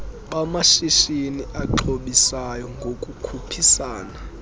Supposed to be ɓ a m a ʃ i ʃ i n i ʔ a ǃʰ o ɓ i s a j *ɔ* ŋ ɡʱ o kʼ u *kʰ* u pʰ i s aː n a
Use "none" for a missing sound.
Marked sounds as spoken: ɔ, kʰ

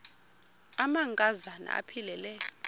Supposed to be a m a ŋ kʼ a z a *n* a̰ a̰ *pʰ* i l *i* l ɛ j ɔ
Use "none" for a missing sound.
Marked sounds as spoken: n, pʰ, ɛ

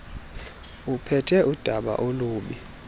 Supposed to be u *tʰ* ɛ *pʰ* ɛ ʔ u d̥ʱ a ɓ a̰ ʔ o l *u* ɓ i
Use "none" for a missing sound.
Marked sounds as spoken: pʰ, tʰ, uː

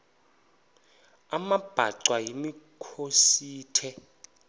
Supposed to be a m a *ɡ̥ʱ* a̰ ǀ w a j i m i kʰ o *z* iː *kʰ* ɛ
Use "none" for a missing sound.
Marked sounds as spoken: b̥ʱ, s, tʰ

